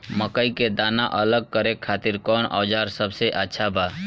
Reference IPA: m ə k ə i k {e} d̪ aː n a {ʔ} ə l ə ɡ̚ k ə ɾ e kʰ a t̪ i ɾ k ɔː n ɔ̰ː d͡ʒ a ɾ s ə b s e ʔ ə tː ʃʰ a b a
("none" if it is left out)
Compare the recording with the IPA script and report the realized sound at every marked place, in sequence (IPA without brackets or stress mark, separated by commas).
e, ʔ